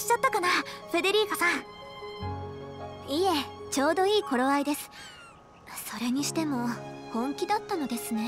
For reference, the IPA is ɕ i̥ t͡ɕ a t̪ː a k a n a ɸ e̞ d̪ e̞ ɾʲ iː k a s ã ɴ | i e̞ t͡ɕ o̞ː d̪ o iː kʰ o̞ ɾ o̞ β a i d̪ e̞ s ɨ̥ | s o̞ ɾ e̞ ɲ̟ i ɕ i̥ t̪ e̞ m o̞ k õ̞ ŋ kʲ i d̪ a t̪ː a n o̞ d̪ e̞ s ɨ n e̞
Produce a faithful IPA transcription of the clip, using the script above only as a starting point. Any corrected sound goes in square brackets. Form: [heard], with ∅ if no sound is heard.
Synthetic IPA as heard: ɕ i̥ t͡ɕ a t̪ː a k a n a ɸ e̞ d̪ e̞ ɾʲ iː k a s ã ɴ | i e̞ t͡ɕ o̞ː d̪ o iː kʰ o̞ ɾ o̞ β a i d̪ e̞ s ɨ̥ | s o̞ ɾ e̞ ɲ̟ i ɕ i̥ t̪ e̞ m o̞ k õ̞ ŋ kʲ i d̪ a t̪ː a n o̞ d̪ e̞ s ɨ n e̞